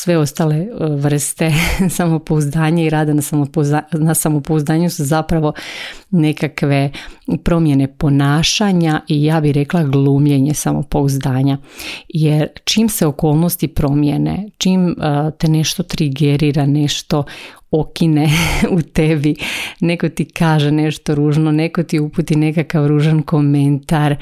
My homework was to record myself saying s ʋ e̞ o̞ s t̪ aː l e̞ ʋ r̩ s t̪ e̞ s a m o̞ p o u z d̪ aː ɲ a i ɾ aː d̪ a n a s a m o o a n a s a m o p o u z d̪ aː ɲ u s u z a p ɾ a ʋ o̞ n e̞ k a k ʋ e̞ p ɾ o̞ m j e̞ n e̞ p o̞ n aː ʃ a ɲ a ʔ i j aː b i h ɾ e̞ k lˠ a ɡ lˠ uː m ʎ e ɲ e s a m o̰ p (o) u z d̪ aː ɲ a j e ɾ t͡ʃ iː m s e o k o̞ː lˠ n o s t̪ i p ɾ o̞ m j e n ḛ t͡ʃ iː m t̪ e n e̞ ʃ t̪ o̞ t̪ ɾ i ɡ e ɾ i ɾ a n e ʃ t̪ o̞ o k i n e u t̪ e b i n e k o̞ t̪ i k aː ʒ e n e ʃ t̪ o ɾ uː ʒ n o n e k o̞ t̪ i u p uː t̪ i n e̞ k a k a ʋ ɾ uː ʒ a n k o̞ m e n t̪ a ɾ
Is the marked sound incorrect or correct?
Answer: correct